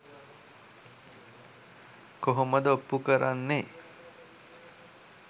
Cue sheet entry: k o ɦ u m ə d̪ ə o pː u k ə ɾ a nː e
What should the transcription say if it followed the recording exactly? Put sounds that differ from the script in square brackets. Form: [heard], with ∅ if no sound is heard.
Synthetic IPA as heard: k o ɦ [o] m ə d̪ ə o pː u k ə ɾ a nː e